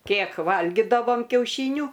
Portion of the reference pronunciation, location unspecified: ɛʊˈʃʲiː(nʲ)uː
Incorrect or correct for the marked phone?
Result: correct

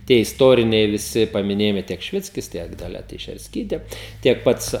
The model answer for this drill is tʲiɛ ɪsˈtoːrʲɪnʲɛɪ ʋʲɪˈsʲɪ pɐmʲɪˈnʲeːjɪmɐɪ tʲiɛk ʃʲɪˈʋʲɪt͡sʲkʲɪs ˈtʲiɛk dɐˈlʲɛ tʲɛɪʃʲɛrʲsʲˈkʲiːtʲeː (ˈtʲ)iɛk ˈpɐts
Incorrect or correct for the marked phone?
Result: correct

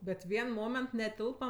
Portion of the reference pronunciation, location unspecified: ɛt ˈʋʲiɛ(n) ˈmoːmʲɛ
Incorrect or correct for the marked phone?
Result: correct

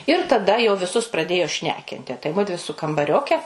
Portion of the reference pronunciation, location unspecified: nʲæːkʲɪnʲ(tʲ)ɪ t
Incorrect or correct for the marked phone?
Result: correct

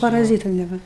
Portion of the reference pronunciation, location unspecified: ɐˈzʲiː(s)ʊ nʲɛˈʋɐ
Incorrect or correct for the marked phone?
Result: incorrect: t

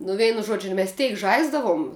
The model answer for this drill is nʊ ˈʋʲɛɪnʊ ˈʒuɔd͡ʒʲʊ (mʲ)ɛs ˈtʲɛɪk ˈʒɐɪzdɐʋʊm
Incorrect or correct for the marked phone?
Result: correct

